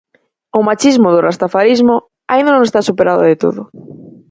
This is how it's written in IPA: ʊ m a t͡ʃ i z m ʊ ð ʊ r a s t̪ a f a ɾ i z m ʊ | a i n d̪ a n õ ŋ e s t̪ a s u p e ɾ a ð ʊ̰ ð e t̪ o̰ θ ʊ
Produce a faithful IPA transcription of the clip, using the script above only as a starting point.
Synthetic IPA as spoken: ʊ m a t͡ʃ i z m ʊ ð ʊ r a s t̪ a f a ɾ i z m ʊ | a i n d̪ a n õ ŋ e s t̪ a s u p e ɾ a ð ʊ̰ ð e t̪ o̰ ð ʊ